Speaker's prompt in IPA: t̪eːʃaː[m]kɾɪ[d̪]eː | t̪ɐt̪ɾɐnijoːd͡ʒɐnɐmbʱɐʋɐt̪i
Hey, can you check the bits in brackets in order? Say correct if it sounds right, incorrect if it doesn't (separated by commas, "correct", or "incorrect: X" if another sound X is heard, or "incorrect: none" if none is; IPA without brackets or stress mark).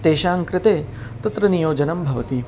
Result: incorrect: ŋ, incorrect: t̪